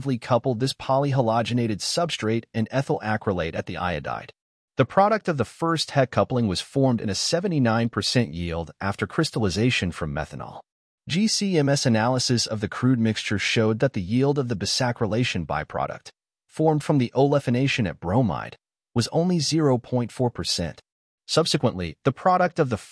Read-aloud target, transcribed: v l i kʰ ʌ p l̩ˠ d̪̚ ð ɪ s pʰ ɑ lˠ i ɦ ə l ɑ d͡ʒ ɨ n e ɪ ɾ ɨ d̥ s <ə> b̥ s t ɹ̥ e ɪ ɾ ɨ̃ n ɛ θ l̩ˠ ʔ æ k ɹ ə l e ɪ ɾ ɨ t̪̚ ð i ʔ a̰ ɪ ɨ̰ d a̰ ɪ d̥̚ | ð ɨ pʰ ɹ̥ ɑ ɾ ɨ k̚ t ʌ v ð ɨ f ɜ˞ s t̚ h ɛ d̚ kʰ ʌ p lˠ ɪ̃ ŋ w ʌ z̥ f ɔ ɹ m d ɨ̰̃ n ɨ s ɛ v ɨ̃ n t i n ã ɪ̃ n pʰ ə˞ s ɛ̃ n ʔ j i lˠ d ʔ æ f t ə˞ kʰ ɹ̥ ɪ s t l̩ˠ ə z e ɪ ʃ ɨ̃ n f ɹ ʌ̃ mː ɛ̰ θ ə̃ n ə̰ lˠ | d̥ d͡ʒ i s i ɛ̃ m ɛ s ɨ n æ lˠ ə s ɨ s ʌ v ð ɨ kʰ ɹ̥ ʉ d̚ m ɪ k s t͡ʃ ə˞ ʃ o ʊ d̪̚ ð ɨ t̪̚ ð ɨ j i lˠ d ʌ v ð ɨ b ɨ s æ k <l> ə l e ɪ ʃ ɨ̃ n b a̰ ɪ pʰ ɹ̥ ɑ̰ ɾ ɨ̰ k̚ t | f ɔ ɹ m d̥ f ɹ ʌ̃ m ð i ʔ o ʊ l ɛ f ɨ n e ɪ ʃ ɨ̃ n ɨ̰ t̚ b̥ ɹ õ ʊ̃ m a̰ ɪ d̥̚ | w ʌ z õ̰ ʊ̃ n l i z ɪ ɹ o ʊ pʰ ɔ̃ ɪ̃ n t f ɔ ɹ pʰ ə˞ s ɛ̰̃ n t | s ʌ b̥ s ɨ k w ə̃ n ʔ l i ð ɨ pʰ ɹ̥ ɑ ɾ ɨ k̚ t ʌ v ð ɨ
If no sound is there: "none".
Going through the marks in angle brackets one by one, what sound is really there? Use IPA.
ʌ, ɹ

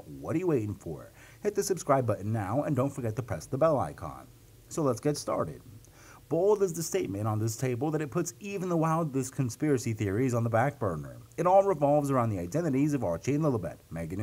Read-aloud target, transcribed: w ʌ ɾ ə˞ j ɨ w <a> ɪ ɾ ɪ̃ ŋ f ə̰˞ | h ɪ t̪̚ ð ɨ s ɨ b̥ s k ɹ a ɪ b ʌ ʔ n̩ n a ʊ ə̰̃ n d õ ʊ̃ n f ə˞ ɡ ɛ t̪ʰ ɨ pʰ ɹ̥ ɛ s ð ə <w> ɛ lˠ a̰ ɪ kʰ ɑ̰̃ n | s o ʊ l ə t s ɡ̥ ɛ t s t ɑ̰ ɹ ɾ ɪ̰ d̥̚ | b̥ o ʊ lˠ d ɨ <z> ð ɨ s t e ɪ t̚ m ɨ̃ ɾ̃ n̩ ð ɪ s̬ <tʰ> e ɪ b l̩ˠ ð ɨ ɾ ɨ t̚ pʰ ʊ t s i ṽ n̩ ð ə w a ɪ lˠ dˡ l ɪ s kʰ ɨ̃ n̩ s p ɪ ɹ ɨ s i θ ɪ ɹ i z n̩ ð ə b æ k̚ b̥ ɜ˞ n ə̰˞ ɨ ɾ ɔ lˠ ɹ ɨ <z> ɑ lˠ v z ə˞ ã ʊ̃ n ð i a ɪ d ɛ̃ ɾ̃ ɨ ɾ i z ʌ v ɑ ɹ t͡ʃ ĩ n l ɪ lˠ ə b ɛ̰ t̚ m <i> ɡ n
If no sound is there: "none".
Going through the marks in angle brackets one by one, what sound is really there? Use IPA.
e, b, z, tʰ, v, æ

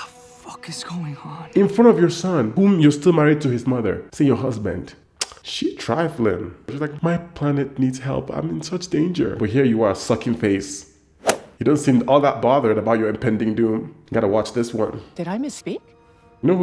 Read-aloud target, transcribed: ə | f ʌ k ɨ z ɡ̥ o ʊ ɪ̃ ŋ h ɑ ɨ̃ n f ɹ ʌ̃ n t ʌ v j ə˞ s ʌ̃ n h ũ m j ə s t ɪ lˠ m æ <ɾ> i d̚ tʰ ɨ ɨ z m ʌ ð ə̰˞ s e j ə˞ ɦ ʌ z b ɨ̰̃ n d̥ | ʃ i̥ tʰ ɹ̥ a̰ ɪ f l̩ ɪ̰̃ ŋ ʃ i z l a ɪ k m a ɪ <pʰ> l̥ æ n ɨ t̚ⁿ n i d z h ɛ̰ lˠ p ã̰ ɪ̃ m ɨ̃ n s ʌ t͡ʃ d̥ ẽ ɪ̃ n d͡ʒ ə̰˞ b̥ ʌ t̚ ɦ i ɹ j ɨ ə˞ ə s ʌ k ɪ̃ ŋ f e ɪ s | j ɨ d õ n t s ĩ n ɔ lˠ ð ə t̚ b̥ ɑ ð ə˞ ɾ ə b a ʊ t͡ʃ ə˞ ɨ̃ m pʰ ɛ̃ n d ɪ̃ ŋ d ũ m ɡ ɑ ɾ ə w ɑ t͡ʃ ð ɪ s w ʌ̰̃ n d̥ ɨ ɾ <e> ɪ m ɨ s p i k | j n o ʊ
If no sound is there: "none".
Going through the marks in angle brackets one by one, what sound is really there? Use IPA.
ɹ, pʰ, a

